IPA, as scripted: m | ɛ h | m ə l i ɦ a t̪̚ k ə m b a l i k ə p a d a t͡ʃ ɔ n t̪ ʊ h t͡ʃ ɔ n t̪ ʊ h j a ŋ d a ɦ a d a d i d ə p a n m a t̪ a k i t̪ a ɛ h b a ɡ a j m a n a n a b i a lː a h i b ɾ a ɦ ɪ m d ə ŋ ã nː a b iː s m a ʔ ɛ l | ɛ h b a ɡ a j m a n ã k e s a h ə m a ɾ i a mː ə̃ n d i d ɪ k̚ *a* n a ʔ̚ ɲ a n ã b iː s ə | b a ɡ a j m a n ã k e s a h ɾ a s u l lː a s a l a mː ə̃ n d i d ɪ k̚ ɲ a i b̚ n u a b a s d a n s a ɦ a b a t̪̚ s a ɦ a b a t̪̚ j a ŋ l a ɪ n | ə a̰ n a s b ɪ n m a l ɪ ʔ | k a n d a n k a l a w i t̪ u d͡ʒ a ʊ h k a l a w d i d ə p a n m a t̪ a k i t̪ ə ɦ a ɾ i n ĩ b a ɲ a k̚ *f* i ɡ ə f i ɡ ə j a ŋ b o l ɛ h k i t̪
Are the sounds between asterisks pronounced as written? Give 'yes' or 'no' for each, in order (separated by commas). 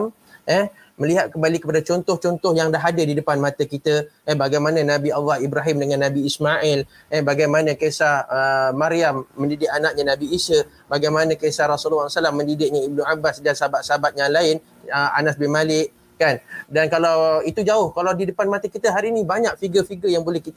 yes, yes